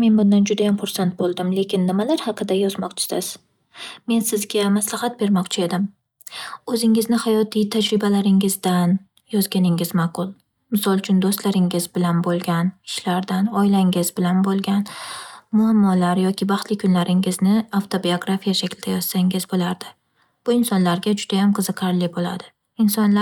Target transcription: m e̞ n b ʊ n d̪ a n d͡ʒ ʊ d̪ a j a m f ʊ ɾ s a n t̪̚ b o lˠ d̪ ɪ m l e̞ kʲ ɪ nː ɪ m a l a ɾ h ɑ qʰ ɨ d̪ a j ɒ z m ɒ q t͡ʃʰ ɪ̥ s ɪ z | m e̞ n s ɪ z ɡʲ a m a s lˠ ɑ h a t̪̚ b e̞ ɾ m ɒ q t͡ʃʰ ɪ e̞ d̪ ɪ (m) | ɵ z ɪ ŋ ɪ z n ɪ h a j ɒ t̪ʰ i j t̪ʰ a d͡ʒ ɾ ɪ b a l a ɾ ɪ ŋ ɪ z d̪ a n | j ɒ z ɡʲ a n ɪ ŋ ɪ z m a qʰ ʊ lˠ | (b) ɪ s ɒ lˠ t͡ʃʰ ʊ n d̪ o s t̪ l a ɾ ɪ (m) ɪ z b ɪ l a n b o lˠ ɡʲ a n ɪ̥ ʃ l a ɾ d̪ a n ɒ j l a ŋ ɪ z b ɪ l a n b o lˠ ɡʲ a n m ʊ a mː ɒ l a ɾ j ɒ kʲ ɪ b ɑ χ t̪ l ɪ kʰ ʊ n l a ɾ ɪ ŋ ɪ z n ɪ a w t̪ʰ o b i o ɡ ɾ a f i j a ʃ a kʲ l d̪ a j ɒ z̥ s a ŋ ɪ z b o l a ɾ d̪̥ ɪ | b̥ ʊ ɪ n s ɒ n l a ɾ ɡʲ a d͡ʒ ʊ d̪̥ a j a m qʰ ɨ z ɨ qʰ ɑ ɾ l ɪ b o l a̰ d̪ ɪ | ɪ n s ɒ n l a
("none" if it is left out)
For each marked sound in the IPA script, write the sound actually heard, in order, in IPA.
m, m, ŋ

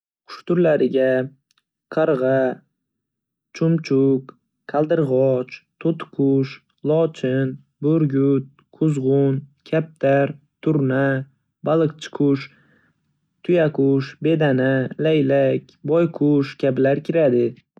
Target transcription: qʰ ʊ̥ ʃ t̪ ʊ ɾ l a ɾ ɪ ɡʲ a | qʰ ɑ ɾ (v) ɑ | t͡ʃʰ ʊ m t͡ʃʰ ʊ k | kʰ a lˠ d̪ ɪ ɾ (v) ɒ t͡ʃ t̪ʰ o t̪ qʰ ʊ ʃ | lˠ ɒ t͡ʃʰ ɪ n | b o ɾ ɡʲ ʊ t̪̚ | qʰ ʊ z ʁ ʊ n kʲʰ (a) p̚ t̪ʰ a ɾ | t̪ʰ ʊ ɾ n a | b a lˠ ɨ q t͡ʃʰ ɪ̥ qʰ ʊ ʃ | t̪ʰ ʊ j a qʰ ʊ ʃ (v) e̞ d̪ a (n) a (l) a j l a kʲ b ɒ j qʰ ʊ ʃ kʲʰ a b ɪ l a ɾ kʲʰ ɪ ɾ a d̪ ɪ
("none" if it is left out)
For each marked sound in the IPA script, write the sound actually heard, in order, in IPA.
ʁ, ʁ, a, b, n, l

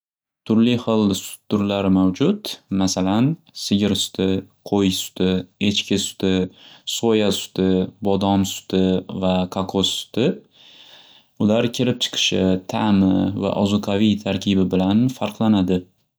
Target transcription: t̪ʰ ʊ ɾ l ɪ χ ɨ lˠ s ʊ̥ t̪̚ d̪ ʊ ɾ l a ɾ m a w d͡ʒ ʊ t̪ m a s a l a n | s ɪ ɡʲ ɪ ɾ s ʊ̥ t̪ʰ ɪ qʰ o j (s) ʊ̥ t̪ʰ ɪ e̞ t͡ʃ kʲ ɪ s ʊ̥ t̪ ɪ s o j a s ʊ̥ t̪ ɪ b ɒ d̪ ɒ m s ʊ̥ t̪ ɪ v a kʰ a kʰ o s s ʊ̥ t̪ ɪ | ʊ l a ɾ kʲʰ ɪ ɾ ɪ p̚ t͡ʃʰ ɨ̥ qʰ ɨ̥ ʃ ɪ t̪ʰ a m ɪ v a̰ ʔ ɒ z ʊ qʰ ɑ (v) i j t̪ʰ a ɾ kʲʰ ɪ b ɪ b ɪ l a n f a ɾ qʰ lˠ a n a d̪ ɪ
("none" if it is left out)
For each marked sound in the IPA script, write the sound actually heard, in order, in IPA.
s, v

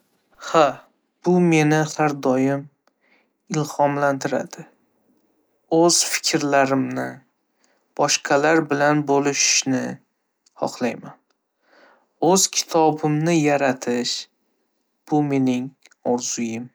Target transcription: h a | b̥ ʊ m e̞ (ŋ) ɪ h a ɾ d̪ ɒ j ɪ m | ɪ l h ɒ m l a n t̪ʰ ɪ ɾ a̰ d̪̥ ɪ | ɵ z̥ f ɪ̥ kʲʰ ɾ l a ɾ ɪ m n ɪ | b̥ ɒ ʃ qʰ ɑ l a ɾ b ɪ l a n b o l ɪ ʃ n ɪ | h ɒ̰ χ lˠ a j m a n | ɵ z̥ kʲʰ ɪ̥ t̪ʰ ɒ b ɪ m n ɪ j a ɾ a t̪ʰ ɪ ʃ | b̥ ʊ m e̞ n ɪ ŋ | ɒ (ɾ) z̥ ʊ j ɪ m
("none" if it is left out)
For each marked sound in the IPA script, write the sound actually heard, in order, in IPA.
n, ɾ

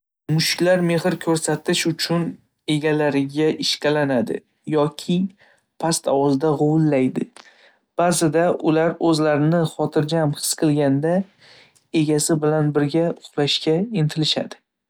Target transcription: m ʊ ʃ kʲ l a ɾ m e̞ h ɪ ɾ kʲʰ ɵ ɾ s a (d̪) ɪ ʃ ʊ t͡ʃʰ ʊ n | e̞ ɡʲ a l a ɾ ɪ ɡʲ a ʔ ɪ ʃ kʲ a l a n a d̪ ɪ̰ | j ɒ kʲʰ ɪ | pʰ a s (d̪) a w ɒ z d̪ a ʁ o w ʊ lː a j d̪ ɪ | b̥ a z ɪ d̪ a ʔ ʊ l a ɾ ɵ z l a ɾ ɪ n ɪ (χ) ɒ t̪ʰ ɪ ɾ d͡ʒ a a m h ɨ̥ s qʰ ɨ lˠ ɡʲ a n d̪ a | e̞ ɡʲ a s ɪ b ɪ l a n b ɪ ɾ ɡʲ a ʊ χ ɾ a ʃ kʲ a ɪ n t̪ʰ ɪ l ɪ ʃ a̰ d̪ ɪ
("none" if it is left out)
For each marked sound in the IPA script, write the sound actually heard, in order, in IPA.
t̪, t̪, χ

